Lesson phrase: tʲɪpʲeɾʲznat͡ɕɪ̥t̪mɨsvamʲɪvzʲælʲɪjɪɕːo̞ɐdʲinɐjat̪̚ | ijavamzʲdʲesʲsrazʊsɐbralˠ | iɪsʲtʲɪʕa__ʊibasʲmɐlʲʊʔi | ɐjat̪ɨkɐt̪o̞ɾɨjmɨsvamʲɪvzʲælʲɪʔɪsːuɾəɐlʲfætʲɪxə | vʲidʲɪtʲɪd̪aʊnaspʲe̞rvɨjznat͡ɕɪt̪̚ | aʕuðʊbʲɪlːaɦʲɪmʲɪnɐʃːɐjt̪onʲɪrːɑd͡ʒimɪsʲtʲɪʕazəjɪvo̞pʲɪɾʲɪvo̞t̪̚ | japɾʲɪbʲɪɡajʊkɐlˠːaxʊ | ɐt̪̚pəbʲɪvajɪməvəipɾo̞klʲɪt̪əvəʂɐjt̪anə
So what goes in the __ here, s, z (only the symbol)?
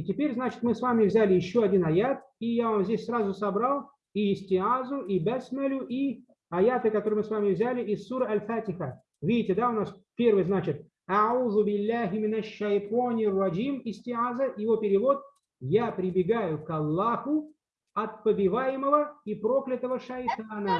z